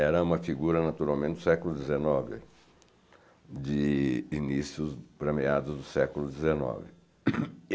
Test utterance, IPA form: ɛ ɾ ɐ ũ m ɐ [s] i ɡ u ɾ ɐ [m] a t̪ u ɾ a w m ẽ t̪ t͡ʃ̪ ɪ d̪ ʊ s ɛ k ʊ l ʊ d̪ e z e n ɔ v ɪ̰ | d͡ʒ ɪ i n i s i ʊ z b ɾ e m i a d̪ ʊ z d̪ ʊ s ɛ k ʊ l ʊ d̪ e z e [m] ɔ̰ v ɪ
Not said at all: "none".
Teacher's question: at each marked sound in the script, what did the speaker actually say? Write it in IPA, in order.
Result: f, n, n

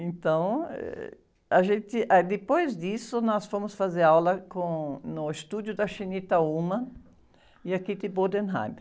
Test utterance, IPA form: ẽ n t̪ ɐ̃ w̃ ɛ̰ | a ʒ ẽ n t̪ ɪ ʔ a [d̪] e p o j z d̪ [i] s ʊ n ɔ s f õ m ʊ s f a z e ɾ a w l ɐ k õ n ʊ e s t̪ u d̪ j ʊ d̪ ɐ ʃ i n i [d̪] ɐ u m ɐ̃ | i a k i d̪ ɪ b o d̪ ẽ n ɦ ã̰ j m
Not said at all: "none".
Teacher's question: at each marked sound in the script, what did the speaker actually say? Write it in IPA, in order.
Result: d̪, i, t̪

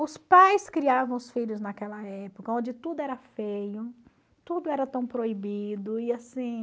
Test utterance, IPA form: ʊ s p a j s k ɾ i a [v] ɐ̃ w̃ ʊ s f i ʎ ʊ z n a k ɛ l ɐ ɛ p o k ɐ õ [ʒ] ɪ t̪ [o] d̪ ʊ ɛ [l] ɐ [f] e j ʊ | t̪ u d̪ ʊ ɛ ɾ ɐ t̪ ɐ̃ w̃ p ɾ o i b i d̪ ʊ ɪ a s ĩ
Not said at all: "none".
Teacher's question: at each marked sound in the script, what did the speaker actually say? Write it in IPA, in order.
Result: v, d͡ʒ, u, ɾ, f

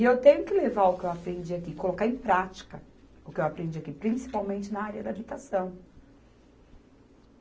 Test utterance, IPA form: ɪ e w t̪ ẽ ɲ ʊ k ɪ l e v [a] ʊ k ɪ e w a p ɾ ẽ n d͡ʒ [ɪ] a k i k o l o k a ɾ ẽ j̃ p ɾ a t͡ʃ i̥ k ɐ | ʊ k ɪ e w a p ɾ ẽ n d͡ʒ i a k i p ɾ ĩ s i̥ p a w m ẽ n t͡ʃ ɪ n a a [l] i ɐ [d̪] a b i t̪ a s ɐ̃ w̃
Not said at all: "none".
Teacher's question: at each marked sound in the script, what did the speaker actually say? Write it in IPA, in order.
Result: a, i, ɾ, d̪

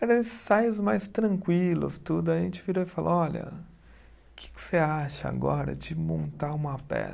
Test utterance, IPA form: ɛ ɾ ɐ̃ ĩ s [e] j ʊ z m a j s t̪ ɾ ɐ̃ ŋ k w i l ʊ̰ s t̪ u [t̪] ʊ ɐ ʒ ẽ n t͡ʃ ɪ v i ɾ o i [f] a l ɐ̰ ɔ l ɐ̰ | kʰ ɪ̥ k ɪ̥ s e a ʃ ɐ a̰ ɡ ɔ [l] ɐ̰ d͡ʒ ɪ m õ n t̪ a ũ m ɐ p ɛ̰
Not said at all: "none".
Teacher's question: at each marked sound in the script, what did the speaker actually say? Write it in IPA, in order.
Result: a, d̪, f, ɾ

